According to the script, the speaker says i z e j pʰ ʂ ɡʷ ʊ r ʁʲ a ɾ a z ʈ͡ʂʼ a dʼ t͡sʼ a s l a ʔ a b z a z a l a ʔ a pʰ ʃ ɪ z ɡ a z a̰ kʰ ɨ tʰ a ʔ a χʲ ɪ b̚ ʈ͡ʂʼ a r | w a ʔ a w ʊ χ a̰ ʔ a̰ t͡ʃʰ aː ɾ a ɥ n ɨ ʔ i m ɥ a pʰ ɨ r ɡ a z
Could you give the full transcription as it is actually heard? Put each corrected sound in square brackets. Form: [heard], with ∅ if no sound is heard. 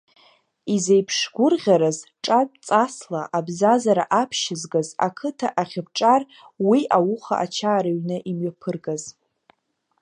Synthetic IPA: i z e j pʰ ʂ ɡʷ ʊ r ʁʲ a ɾ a z ʈ͡ʂʼ a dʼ t͡sʼ a s l a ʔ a b z a z a [ɾ] a ʔ a pʰ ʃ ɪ z ɡ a z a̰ kʰ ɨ tʰ a ʔ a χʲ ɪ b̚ ʈ͡ʂʼ a r | w [i] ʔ a w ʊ χ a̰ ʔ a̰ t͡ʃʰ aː ɾ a ɥ n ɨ ʔ i m ɥ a pʰ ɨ r ɡ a z